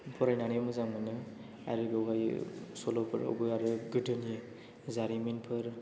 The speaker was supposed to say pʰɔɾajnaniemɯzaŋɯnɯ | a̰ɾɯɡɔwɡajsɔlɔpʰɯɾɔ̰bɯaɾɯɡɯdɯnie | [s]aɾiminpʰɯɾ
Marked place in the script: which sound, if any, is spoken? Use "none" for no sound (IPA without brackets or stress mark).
z